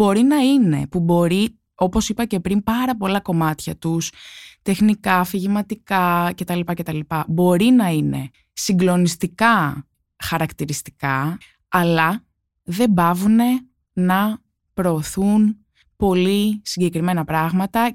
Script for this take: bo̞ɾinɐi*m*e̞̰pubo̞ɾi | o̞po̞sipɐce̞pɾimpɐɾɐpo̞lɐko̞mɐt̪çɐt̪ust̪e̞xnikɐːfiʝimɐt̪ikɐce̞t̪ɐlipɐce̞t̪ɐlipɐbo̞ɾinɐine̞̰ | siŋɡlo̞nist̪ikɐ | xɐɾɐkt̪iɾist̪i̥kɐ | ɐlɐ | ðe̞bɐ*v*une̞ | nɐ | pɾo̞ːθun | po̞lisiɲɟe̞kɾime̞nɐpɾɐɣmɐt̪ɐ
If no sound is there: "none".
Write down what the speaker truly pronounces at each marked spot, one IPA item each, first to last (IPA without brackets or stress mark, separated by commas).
n, v